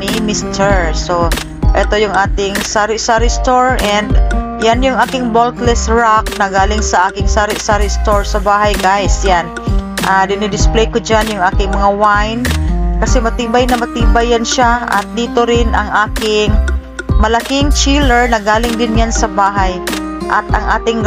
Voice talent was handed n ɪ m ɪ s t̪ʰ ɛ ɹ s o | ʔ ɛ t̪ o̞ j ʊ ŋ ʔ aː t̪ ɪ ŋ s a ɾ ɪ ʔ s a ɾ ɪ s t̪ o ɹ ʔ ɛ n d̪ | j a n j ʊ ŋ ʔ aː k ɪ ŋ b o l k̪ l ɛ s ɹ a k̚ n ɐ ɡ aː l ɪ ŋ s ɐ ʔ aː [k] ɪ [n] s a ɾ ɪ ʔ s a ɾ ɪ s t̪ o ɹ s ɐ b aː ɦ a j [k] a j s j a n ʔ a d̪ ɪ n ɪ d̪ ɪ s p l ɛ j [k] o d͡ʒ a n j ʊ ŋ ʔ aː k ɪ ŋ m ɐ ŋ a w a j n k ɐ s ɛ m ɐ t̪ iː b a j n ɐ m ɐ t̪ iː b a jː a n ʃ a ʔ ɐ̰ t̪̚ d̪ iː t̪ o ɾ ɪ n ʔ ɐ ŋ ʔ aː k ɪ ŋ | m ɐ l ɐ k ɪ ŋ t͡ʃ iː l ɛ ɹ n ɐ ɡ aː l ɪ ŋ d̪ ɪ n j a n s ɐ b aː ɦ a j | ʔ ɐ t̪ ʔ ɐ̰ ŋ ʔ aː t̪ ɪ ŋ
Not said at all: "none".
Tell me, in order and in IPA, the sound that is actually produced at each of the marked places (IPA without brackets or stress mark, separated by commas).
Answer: k, ŋ, ɡ, k